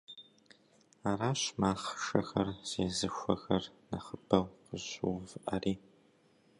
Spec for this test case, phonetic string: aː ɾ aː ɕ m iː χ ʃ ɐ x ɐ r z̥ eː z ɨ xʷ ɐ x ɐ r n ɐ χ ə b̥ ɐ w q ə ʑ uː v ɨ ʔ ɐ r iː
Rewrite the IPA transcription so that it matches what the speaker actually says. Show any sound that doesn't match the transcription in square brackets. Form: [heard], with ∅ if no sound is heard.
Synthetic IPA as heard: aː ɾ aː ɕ m [aː] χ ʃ ɐ x ɐ r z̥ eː z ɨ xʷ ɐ x ɐ r n ɐ χ ə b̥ ɐ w q ə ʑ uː v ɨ ʔ ɐ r iː